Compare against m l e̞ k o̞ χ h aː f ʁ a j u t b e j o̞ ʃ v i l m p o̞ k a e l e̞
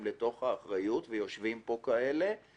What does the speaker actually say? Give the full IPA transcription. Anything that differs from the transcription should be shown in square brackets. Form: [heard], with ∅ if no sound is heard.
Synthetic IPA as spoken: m l e̞ [t] o̞ χ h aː [χ] ʁ a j u t [v] e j o̞ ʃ v i [∅] m p o̞ k a e l e̞